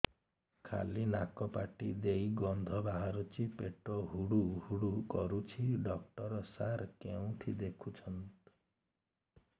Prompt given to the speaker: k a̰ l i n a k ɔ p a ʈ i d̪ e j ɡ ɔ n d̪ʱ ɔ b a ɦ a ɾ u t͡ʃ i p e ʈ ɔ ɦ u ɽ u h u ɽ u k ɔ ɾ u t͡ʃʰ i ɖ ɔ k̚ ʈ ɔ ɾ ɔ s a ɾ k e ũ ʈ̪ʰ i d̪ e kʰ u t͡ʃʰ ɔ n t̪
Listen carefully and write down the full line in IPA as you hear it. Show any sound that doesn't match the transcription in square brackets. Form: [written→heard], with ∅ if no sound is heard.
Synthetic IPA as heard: [k→kʰ] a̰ l i n a k ɔ p a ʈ i d̪ e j ɡ ɔ n d̪ʱ ɔ b a ɦ a ɾ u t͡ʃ i p e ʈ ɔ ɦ u ɽ u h u ɽ u k ɔ ɾ u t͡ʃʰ i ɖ ɔ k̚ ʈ ɔ ɾ ɔ s a ɾ k e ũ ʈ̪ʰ i d̪ e kʰ u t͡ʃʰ ɔ n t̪